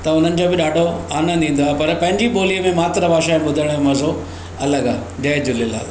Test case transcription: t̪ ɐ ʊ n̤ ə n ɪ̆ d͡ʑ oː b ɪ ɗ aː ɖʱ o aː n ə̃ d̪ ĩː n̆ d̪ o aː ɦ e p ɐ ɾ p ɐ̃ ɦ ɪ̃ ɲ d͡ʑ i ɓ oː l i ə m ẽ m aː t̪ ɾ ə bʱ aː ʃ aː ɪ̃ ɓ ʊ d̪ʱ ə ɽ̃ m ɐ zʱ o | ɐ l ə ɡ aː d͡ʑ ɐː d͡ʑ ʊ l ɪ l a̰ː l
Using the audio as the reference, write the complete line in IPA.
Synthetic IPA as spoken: t̪ ɐ ʊ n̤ ə n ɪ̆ d͡ʑ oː b ɪ ɗ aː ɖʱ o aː n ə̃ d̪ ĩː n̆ d̪ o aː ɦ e p ɐ ɾ p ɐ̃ ɦ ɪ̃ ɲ d͡ʑ i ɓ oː l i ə m ẽ m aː t̪ ɾ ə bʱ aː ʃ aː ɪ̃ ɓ ʊ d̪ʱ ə ɽ̃ m ɐ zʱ o | ɐ l ə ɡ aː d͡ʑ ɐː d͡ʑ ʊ l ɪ l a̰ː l

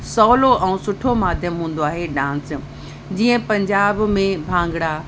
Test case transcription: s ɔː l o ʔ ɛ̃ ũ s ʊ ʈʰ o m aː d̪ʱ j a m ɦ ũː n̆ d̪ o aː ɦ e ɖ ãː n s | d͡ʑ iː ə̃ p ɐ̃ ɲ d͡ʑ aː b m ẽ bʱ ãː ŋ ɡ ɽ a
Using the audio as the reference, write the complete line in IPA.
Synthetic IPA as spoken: s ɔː l o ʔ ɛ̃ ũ s ʊ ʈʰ o m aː d̪ʱ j ə m ɦ ũː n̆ d̪ o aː ɦ e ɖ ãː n s | d͡ʑ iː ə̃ p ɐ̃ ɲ d͡ʑ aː b m ẽ bʱ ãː ŋ ɡ ɽ a

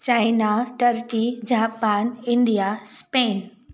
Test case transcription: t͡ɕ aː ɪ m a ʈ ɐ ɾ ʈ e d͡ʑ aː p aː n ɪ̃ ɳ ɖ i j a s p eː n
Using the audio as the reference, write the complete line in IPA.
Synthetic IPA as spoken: t͡ɕ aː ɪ n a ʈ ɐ ɾ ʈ i d͡ʑ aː p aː n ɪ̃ ɳ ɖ i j a s p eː n

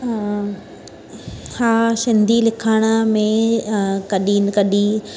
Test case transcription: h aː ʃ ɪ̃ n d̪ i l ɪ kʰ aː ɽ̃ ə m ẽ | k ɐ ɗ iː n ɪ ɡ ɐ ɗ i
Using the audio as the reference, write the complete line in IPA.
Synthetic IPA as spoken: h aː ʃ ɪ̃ n d̪ i l ɪ kʰ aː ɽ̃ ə m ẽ | k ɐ ɗ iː n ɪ k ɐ ɗ i

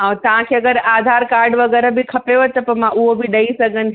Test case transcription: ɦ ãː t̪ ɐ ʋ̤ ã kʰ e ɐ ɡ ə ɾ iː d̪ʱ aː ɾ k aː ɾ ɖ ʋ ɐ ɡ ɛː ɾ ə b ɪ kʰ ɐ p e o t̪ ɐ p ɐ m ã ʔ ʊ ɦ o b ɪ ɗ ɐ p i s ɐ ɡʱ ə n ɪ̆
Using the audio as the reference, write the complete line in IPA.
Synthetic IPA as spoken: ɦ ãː t̪ ɐ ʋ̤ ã kʰ e ɐ ɡ ə ɾ aː d̪ʱ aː ɾ k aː ɾ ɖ ʋ ɐ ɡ ɛː ɾ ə b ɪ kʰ ɐ p e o t̪ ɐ p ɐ m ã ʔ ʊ ɦ o b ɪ ɗ ɐ i s ɐ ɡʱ ə n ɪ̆

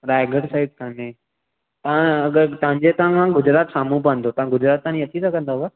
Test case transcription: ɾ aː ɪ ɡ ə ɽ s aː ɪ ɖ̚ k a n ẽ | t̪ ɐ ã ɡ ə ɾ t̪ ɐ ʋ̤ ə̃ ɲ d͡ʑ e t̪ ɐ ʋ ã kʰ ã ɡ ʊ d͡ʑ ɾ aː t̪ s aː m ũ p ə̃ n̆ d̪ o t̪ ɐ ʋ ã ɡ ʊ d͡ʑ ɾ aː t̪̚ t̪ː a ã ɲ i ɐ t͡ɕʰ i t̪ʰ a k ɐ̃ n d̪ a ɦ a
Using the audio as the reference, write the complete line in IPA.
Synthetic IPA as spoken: ɾ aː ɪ ɡ ə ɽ s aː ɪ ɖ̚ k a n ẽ | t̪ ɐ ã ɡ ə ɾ t̪ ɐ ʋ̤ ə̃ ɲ d͡ʑ e t̪ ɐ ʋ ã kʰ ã ɡ ʊ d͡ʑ ɾ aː t̪ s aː m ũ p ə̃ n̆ d̪ o t̪ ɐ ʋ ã ɡ ʊ d͡ʑ ɾ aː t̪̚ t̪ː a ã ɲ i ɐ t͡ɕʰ i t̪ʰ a k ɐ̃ n d̪ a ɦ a

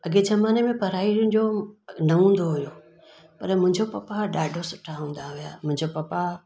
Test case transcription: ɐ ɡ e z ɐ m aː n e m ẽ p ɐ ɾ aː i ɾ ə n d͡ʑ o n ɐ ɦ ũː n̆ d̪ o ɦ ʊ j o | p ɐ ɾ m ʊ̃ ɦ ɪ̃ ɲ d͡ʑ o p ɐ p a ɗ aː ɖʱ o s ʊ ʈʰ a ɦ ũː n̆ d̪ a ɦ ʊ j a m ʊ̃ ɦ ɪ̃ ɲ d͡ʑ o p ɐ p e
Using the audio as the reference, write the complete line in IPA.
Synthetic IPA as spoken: ɐ ɡ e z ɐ m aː n e m ẽ p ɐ ɾ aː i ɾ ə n d͡ʑ o n ɐ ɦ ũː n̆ d̪ o ɦ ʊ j o | p ɐ ɾ m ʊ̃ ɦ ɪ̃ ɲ d͡ʑ o p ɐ p a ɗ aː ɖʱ o s ʊ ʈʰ a ɦ ũː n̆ d̪ a ɦ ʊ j a m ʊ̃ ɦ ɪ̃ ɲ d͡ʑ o p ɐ p a

